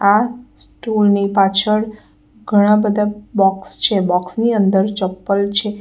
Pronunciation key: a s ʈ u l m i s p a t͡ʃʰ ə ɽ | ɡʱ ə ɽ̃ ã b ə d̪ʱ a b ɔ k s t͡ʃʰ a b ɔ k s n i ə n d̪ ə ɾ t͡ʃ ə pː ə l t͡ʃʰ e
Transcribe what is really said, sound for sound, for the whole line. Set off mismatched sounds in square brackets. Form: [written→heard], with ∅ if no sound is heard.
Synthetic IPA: a s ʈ u l [m→n] i [s→∅] p a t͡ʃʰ ə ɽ | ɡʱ ə ɽ̃ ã b ə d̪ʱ a b ɔ k s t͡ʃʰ [a→e] b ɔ k s n i ə n d̪ ə ɾ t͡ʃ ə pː ə l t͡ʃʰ e